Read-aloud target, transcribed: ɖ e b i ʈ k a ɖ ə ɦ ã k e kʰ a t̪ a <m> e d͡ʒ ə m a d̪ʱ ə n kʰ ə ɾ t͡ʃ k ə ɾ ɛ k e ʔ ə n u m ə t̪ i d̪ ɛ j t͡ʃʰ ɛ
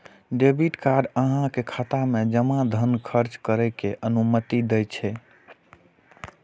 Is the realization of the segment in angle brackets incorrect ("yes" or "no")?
no